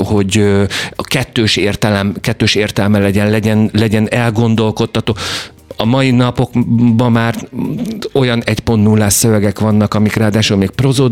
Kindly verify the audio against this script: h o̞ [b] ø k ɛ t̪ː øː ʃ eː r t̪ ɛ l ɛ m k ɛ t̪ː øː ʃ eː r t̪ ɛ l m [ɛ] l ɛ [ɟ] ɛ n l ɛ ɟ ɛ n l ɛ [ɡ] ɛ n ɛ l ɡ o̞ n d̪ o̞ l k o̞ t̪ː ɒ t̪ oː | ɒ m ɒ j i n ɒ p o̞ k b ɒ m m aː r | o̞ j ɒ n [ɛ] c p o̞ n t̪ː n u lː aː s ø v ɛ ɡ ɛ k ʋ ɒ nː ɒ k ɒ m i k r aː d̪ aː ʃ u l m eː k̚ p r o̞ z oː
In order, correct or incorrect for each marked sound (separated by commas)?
incorrect, correct, correct, incorrect, correct